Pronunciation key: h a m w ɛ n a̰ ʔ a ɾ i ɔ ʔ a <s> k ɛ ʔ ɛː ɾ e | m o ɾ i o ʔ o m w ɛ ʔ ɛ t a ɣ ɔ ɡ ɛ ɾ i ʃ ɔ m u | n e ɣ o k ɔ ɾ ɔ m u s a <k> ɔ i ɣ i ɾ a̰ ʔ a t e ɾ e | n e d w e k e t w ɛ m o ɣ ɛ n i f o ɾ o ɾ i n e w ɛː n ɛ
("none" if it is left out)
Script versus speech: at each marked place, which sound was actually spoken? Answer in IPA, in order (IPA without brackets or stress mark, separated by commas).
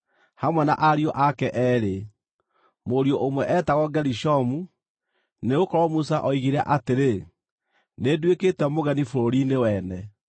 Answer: none, ʔ